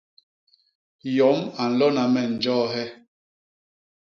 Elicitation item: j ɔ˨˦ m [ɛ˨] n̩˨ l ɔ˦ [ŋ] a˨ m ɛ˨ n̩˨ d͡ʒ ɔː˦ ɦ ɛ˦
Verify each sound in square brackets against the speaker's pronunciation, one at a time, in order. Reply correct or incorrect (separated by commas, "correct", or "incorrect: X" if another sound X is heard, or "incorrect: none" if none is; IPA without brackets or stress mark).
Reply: incorrect: a˨, incorrect: n